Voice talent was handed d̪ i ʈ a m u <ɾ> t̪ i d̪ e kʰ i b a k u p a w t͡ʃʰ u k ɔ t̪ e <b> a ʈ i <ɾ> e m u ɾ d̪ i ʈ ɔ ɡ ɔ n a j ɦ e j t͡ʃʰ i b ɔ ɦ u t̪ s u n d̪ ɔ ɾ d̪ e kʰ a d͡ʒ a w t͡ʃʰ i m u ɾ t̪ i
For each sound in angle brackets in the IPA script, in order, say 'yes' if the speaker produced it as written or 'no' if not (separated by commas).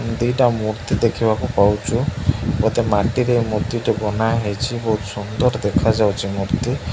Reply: yes, no, yes